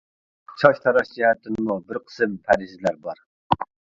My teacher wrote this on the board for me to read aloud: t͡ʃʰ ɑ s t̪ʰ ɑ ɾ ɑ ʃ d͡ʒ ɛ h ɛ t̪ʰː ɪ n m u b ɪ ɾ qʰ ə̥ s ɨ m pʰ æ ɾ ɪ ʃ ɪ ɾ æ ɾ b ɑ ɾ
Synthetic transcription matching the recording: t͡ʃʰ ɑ ʃ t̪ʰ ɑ ɾ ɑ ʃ d͡ʒ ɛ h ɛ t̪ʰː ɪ n m u b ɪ ɾ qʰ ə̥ s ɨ m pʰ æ ɾ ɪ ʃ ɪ l æ ɾ b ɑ ɾ